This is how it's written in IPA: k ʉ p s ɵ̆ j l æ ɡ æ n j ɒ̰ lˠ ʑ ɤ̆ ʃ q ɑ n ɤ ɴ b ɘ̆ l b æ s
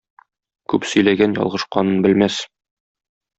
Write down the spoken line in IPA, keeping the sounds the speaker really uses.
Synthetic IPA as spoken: k ʉ p s ɵ̆ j l æ ɡ æ n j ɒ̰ lˠ ʁ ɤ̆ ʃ q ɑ n ɤ n b ɘ̆ l m æ s